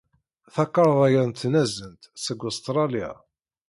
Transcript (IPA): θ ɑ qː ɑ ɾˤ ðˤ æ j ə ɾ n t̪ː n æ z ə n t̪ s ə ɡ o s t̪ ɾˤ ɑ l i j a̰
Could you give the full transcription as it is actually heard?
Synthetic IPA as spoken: θ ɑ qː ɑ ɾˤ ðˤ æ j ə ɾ n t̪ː n æ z ə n t̪ s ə ɡ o s t̪ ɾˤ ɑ l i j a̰